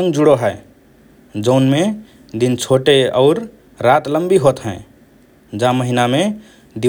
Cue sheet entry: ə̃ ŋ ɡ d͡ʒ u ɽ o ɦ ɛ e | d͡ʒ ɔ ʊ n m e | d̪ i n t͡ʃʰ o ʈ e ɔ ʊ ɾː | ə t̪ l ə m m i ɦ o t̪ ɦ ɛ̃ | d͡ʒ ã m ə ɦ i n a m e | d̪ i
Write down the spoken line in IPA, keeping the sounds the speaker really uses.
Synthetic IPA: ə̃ ŋ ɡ d͡ʒ u ɽ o ɦ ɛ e | d͡ʒ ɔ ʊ n m e | d̪ i n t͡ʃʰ o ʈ e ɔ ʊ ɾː | a t̪ l ə m b i ɦ o t̪ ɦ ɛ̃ | d͡ʒ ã m ə ɦ i n a m e | d̪ i

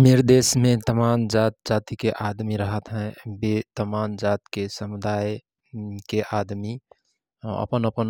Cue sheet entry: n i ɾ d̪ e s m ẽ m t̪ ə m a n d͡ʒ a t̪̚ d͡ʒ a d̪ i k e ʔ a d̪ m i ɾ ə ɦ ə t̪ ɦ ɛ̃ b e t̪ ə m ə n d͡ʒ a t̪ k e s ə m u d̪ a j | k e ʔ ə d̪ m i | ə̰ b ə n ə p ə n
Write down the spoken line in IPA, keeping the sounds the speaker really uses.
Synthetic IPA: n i ɾ d̪ e s m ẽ t̪ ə m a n d͡ʒ a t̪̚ d͡ʒ a t̪ i k e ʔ a d̪ m i ɾ ə ɦ ə t̪ ɦ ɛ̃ b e t̪ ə m a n d͡ʒ a t̪ k e s ə m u d̪ a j | k e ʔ a d̪ m i | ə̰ p ə n ə p ə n

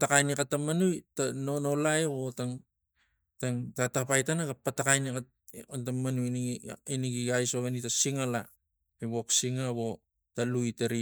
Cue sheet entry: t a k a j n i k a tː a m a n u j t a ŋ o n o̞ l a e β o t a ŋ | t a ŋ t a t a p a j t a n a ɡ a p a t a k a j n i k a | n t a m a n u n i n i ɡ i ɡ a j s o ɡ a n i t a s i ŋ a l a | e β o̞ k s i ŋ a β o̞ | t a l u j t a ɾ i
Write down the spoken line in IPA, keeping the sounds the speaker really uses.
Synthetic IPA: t a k a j n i k a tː a m a n u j t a n o n o̞ l a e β o t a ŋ | t a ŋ t a t a p a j t a n a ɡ a p a t a k a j n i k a | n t a m a n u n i n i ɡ i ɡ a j s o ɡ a n i t a s i ŋ a l a | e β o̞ k s i ŋ a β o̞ | t a l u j t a ɾ i

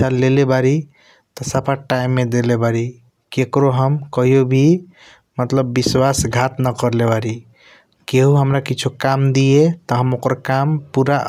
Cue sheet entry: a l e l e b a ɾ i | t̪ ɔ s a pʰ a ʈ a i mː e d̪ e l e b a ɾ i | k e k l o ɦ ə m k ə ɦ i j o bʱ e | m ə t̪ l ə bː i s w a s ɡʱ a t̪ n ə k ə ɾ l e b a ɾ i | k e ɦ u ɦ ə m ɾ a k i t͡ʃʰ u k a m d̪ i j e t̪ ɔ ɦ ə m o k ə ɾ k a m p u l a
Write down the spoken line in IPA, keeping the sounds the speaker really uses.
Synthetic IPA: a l e l e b a ɾ i | t̪ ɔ s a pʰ a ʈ a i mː e d̪ e l e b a ɾ i | k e k ɾ o ɦ ə m k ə ɦ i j o bʱ i | m ə t̪ l ə bː i s w a s ɡʱ a t̪ n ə k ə ɾ l e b a ɾ i | k e ɦ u ɦ ə m ɾ a k i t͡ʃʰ u k a m d̪ i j e t̪ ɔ ɦ ə m o k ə ɾ k a m p u ɾ a

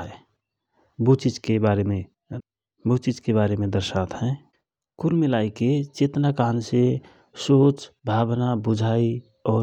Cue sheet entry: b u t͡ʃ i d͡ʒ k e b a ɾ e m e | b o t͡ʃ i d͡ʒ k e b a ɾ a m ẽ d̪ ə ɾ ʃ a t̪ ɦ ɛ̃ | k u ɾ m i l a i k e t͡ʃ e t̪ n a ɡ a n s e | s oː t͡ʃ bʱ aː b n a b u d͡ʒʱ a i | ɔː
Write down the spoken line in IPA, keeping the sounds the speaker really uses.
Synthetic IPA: b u t͡ʃ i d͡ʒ k e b a ɾ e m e | b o t͡ʃ i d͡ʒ k e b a ɾ e m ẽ d̪ ə ɾ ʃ a t̪ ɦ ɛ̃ | k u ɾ m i l a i k e t͡ʃ e t̪ n a k a n s e | s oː t͡ʃ bʱ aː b n a b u d͡ʒʱ a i | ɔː

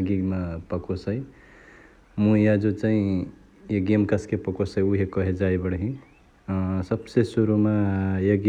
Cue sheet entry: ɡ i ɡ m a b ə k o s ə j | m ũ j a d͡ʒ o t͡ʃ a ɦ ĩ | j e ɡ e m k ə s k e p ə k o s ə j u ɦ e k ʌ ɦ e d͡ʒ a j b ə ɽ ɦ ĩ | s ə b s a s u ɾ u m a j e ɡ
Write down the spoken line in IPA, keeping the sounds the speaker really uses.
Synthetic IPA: ɡ i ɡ m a p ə k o s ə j | m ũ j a d͡ʒ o t͡ʃ a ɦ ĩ | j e ɡ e m k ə s k e p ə k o s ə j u ɦ e k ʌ ɦ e d͡ʒ a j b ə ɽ ɦ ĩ | s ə b s e s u ɾ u m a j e ɡ

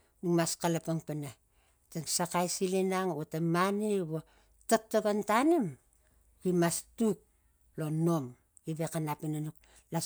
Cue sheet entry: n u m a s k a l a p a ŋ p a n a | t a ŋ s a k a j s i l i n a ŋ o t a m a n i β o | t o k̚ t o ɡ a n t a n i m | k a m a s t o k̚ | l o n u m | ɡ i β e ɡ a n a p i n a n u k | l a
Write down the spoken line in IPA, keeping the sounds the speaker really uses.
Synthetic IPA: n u m a s k a l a p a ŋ p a n a | t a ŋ s a k a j s i l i n a ŋ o t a m a n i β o | t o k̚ t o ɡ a n t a n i m | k i m a s t u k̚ | l o n o m | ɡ i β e k a n a p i n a n u k | l a

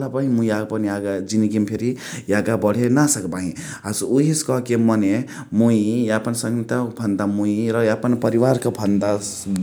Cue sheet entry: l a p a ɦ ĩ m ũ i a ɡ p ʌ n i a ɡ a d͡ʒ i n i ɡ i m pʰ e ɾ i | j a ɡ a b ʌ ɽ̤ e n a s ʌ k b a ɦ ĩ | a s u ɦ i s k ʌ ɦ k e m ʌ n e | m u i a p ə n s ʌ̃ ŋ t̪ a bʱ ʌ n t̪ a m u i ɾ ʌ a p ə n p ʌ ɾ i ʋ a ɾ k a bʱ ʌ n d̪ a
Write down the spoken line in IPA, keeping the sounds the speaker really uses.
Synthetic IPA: l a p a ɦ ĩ m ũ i a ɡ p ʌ n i a ɡ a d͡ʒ i n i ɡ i m pʰ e ɾ i | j a ɡ a b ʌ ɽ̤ e n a s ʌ k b a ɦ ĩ | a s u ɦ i s k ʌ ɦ k e m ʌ n e | m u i a p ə n s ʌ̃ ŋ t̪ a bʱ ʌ n d̪ a m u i ɾ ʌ a p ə n p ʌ ɾ i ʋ a ɾ k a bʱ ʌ n d̪ a

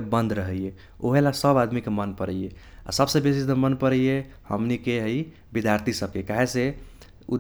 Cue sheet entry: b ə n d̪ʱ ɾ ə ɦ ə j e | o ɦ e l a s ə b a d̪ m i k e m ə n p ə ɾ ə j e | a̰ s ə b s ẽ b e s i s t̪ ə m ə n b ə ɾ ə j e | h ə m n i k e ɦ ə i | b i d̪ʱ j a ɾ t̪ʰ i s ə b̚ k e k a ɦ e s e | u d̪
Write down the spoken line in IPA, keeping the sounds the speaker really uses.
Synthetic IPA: b ə n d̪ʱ ɾ ə ɦ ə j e | o ɦ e l a s ə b a d̪ m i k e m ə n p ə ɾ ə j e | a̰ s ə b s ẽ b e s i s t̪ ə m ə n p ə ɾ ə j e | h ə m n i k e ɦ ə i | b i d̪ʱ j a ɾ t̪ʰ i s ə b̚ k e k a ɦ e s e | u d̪

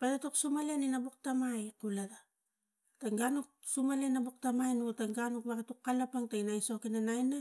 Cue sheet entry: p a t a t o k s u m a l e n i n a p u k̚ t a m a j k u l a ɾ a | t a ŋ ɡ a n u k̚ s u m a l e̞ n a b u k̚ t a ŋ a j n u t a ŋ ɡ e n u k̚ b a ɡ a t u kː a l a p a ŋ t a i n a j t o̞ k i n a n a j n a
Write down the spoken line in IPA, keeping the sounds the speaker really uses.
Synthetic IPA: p a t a t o k s u m a l e n i n a b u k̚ t a m a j k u l a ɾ a | t a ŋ ɡ a n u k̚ s u m a l e̞ n a b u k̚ t a m a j n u t a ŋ ɡ a n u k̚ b a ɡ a t u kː a l a p a ŋ t a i n a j s o̞ k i n a n a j n a

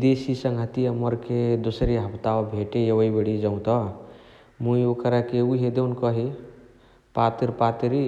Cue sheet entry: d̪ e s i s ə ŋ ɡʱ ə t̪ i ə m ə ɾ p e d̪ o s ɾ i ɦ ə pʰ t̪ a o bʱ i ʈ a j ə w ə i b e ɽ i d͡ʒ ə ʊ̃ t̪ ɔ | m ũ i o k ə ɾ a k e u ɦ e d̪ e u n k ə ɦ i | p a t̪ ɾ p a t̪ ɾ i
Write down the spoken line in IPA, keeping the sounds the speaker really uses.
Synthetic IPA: d̪ e s i s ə ŋ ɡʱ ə t̪ i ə m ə ɾ k e d̪ o s ɾ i ɦ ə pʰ t̪ a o bʱ e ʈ e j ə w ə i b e ɽ i d͡ʒ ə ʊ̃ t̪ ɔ | m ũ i o k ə ɾ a k e u ɦ e d̪ e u n k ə ɦ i | p a t̪ ɾ p a t̪ ɾ i

